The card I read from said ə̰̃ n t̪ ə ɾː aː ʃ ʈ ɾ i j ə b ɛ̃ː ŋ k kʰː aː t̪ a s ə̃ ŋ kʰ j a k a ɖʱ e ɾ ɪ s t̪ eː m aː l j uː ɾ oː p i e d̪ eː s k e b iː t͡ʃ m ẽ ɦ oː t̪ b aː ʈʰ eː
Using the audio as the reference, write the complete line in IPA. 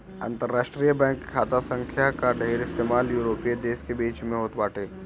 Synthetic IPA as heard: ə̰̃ n t̪ ə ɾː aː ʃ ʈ ɾ i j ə b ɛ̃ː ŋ k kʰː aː t̪ a s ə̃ ŋ kʰ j a k a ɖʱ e ɾ ɪ s t̪ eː m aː l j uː ɾ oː p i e d̪ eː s k e b iː t͡ʃ m ẽ ɦ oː t̪ b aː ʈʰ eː